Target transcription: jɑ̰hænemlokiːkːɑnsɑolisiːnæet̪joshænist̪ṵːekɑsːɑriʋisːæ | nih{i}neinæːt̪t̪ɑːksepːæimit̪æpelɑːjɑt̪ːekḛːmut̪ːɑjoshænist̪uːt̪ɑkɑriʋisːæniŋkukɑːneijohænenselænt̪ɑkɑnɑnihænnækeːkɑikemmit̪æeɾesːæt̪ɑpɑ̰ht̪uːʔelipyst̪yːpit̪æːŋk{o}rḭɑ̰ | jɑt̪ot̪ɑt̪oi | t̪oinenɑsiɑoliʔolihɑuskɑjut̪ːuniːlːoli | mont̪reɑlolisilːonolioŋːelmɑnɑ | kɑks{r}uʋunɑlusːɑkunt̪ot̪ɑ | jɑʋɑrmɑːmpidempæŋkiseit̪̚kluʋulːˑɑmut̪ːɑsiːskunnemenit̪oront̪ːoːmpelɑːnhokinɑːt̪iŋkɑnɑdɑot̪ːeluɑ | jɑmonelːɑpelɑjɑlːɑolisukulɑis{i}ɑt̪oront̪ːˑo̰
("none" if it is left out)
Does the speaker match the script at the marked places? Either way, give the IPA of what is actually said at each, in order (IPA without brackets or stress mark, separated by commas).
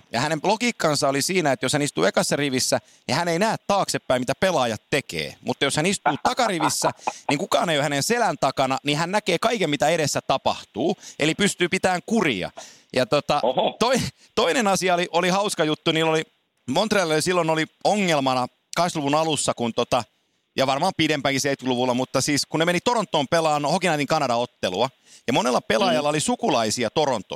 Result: æ, u, l, i